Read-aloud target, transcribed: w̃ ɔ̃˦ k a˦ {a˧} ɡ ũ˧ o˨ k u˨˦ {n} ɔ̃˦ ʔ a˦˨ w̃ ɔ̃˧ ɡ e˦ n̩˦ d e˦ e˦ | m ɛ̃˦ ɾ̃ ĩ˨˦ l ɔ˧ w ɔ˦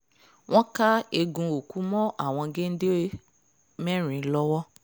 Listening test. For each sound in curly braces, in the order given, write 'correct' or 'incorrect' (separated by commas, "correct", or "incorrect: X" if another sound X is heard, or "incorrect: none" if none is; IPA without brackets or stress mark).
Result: incorrect: e˧, incorrect: m